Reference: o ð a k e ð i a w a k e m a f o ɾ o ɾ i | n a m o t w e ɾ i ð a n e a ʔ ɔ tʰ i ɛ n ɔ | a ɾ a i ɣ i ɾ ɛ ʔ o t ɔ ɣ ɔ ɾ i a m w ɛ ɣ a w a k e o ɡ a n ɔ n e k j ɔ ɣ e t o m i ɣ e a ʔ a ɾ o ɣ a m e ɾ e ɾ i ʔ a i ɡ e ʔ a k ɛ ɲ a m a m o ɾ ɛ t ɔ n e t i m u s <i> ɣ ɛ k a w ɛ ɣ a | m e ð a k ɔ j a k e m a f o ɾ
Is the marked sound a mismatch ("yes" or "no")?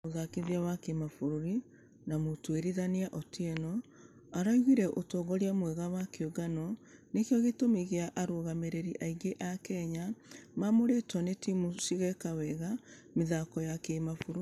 no